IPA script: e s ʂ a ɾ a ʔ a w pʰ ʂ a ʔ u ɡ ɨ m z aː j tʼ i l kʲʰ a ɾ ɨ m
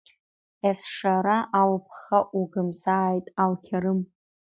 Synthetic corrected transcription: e s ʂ a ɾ a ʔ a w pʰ χ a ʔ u ɡ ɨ m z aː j tʼ a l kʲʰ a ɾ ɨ m

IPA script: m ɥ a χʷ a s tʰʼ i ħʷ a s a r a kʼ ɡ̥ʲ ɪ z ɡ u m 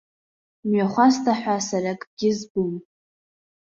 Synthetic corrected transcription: m ɥ a χʷ a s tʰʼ a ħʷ a s a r a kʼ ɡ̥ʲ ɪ z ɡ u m

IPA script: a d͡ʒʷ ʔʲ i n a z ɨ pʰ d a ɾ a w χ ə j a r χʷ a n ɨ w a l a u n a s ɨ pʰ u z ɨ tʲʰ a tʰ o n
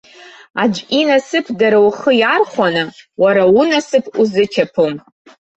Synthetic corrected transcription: a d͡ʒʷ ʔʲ i n a s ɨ pʰ d a ɾ a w χ ə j a r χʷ a n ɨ w a ɾ a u n a s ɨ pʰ u z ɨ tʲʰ a pʰ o m

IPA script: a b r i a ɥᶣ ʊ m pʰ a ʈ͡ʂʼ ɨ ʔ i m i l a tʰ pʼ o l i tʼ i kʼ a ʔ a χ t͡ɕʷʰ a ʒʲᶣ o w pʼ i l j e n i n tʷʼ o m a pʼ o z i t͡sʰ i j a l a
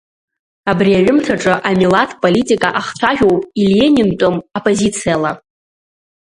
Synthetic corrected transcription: a b r i a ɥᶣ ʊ m tʰ a ʈ͡ʂʼ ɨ ʔ a m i l a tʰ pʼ o l i tʼ i kʼ a ʔ a χ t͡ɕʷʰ a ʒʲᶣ o w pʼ i l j e n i n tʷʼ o m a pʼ o z i t͡sʰ i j a l a

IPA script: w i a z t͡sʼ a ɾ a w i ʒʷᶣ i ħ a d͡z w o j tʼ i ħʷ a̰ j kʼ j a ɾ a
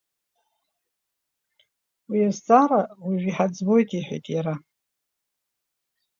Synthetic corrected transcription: w i a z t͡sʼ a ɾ a w i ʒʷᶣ i ħ a d͡z b o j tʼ i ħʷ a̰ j tʼ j a ɾ a

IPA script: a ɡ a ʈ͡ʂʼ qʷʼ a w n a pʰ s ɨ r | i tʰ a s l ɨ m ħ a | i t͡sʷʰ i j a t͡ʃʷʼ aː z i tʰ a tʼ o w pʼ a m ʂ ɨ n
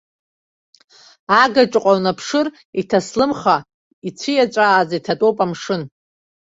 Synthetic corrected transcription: a ɡ a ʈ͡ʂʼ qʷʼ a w n a pʰ ʂ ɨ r | i tʰ a s l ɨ m χ a | i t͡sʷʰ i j a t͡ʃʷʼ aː z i tʰ a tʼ o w pʼ a m ʂ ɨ n

